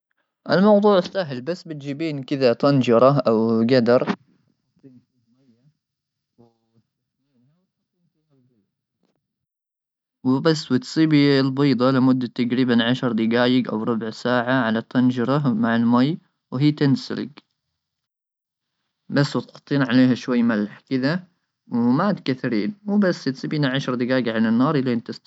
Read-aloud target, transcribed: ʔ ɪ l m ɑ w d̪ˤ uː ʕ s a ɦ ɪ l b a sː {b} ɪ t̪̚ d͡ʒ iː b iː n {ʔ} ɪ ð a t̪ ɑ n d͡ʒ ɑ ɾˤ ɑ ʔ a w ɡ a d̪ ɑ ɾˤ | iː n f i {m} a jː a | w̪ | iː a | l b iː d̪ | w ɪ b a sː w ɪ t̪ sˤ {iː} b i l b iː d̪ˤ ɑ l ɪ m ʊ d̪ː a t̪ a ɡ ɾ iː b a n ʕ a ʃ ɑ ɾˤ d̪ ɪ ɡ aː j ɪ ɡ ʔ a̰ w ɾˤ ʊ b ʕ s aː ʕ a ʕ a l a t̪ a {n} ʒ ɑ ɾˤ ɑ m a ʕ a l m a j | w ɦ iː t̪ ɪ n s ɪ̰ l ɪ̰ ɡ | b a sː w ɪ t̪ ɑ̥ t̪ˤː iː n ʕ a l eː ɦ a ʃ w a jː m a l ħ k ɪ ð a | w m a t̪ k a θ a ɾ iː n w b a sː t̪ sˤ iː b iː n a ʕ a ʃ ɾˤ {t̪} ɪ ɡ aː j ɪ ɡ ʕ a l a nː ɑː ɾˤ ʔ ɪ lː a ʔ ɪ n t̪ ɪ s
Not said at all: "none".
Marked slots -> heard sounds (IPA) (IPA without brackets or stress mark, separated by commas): b, k, m, iː, n, d̪